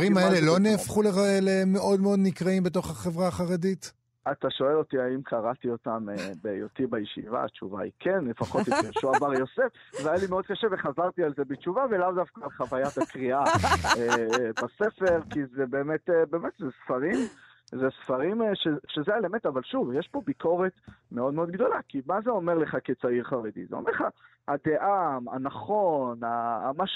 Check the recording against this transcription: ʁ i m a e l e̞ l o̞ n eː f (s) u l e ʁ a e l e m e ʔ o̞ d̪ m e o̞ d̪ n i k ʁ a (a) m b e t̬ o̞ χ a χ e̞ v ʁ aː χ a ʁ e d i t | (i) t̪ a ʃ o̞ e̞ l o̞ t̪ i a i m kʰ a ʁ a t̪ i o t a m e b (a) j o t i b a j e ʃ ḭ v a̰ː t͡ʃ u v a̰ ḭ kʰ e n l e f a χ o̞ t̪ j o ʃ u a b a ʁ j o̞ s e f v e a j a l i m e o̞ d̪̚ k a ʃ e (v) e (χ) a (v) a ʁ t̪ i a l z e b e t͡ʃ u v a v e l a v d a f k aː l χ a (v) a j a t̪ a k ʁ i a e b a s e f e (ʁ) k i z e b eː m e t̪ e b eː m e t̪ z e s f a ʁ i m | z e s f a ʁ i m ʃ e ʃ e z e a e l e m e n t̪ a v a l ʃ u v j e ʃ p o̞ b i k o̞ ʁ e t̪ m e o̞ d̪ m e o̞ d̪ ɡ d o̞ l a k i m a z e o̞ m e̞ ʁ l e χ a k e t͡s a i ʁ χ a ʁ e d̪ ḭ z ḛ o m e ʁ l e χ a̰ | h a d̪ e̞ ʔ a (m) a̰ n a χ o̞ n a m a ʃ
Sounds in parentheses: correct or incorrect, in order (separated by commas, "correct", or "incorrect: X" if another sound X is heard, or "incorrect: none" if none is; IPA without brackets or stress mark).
incorrect: χ, incorrect: i, incorrect: a, incorrect: e, correct, correct, incorrect: z, correct, correct, correct